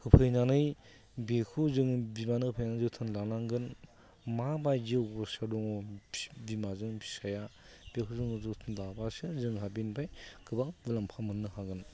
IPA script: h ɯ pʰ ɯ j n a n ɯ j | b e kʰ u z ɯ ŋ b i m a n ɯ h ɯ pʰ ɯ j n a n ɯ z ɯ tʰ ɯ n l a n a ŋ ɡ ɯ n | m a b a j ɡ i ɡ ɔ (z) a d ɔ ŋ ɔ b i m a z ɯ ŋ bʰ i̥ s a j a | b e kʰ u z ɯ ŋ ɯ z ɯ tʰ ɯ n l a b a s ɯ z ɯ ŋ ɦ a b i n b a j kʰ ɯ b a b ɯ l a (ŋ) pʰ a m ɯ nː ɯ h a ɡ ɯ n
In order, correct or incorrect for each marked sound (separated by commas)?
incorrect, incorrect